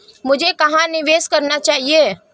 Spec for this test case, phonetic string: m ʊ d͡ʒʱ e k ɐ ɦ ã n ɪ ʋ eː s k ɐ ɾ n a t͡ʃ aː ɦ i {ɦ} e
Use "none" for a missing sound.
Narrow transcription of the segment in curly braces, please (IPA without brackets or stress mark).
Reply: none